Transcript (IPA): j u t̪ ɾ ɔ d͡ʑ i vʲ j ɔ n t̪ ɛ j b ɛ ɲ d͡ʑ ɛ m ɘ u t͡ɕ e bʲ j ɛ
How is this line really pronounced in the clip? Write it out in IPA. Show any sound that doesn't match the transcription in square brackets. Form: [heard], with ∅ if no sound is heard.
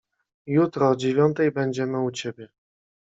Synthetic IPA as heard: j u t̪ ɾ ɔ d͡ʑ [e] vʲ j ɔ n t̪ ɛ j b ɛ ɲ d͡ʑ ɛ m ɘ u t͡ɕ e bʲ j ɛ